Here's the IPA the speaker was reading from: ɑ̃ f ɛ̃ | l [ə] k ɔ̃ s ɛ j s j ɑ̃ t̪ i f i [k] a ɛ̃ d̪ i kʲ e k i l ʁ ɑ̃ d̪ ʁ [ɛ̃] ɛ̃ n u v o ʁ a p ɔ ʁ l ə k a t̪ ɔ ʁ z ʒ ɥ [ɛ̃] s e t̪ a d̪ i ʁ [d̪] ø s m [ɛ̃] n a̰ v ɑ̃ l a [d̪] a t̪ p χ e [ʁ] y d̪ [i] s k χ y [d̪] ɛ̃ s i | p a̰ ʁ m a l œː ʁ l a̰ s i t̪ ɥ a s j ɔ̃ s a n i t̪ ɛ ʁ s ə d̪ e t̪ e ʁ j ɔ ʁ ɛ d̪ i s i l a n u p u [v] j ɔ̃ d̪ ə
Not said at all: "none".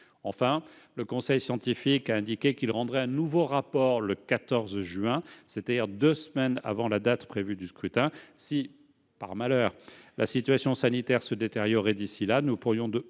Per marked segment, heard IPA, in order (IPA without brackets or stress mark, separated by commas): ə, k, ɛ, ɛ̃, d̪, ɛ, d̪, v, y, t̪, ʁ